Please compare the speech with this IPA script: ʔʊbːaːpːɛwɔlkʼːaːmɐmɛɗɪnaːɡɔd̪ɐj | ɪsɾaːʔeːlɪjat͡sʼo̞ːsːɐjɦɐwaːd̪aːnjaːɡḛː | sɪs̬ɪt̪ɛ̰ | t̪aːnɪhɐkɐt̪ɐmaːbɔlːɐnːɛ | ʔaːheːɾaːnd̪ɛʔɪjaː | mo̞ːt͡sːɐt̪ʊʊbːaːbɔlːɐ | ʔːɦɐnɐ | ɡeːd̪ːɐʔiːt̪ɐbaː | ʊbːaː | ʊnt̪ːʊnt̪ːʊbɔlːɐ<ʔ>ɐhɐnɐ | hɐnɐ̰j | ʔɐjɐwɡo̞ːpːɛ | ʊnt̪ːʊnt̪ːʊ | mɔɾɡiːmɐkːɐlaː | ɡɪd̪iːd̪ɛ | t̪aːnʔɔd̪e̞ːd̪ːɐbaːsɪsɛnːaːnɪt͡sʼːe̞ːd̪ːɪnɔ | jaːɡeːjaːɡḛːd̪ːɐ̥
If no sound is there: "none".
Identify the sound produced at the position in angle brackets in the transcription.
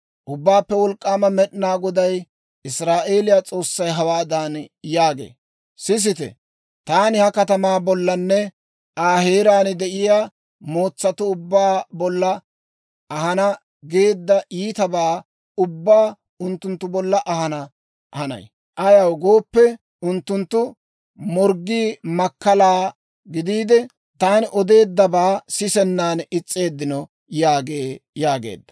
ʔ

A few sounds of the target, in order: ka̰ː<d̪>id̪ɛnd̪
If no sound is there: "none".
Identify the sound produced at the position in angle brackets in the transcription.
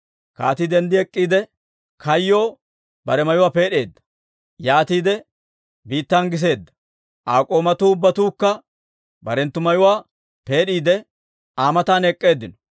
t̪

